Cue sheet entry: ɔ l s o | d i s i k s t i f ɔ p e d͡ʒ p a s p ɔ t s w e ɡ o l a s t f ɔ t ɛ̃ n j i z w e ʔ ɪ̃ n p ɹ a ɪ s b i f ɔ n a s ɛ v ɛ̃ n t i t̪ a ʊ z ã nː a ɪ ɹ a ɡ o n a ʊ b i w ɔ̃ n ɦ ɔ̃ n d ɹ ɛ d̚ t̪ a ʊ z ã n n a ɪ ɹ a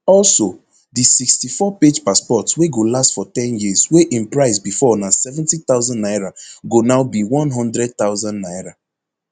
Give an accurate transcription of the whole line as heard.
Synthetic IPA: ɔ l s o | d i s i k s t i f ɔ p e d͡ʒ p a s p ɔ t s w e ɡ o l a s t f ɔ t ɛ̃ n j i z w e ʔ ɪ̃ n p ɹ a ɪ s b i f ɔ n a s ɛ v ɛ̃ n t i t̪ a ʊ z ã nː a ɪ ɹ a ɡ o n a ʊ b i w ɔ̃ n ɦ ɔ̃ n d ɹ ɛ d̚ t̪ a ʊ z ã n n a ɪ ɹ a